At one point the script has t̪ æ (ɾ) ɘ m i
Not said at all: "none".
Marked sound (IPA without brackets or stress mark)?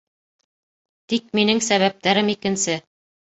ɾ